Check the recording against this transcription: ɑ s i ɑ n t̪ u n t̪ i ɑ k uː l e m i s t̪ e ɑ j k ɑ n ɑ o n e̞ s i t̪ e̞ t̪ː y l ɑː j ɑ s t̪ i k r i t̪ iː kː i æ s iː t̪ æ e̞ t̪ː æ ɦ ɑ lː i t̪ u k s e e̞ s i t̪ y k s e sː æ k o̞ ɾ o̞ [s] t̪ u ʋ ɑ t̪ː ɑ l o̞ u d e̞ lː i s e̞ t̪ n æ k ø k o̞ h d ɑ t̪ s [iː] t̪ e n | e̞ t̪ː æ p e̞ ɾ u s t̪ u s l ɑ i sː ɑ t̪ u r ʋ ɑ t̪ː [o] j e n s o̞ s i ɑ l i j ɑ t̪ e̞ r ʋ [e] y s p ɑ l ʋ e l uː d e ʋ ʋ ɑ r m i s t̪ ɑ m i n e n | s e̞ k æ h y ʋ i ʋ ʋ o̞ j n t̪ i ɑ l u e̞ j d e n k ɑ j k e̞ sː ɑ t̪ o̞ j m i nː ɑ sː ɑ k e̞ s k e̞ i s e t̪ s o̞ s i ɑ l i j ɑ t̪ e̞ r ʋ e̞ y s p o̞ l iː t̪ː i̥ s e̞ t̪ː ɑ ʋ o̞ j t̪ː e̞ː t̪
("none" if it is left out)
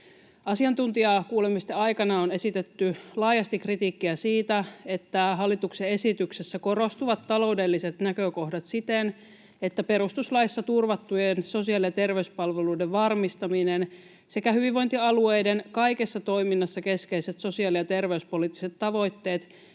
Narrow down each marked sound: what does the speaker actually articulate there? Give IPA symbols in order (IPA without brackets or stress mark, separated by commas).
s, i, u, e